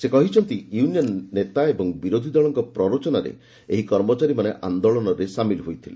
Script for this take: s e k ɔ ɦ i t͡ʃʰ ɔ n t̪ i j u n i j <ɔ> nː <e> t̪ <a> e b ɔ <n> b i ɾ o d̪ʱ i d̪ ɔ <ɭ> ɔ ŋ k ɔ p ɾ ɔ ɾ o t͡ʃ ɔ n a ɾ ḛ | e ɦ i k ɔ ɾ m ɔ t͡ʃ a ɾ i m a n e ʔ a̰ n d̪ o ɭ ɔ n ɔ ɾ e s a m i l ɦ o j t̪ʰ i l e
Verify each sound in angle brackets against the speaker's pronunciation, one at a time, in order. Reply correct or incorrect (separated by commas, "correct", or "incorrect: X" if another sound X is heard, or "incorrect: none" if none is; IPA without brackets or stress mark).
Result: correct, correct, correct, incorrect: ŋ, correct